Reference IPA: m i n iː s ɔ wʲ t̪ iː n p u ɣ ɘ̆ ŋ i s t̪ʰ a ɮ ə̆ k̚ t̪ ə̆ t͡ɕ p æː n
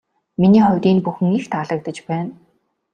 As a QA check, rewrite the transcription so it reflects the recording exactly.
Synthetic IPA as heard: m i n iː χ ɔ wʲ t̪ iː n p u x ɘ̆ ŋ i x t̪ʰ a ɮ ə̆ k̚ t̪ ə̆ t͡ɕ p æː n